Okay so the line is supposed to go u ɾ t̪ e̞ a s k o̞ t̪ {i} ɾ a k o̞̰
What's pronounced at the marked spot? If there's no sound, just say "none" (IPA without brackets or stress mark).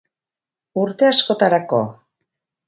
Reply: a